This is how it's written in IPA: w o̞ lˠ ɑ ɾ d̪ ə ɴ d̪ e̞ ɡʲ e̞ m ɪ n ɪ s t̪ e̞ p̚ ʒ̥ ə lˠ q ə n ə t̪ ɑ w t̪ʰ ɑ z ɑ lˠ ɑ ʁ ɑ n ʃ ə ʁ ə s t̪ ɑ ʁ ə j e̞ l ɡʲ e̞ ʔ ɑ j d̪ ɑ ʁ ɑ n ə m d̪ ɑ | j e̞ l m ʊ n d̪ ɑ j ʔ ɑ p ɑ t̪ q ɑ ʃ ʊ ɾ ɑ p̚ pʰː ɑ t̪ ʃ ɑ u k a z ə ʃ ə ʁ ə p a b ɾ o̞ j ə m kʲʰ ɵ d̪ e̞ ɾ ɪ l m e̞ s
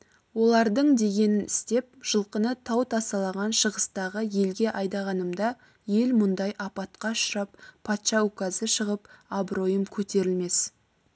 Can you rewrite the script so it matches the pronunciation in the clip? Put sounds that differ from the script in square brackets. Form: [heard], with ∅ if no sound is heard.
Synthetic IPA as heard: w o̞ lˠ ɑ ɾ d̪ ə ɴ d̪ e̞ ɡʲ e̞ [n] ɪ n ɪ s t̪ e̞ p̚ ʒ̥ ə lˠ q ə n ə [t̪ʰ] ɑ w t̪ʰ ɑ [s] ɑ lˠ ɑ ʁ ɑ n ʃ ə ʁ ə s t̪ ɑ ʁ ə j e̞ l ɡʲ e̞ ʔ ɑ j d̪ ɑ ʁ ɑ n ə m d̪ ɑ | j e̞ l m ʊ n d̪ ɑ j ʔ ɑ p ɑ t̪ q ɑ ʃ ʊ ɾ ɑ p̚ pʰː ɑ t̪ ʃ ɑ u k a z ə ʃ ə ʁ ə p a b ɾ o̞ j ə m kʲʰ ɵ [t̪] e̞ ɾ ɪ l m e̞ s